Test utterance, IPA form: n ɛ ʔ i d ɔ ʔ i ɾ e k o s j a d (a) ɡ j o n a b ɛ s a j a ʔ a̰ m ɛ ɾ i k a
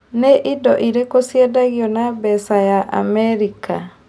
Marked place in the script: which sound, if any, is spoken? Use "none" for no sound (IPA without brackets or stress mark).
a